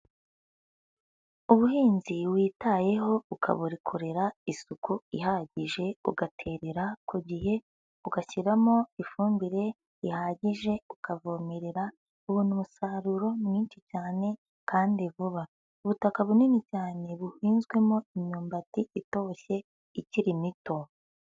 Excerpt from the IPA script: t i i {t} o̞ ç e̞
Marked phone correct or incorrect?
correct